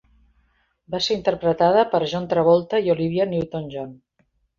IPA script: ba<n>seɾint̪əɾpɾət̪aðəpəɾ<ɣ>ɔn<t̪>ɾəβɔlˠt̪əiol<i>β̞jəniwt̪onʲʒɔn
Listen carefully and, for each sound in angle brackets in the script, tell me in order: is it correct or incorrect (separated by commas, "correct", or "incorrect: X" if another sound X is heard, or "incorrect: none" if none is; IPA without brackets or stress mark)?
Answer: incorrect: none, incorrect: ʒ, correct, correct